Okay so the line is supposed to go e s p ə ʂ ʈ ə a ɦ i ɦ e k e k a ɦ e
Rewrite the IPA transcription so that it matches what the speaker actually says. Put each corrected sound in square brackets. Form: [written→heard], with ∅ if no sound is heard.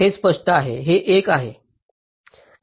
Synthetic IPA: e s p ə ʂ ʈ ə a ɦ [i→e] ɦ e [k→ʔ] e k a ɦ e